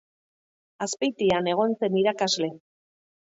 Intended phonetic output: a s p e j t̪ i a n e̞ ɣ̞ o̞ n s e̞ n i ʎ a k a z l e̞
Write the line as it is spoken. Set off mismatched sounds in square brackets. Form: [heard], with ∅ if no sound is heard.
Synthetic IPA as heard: a s p e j t̪ i a n e̞ ɣ̞ o̞ n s e̞ n i [ɾ] a k a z l e̞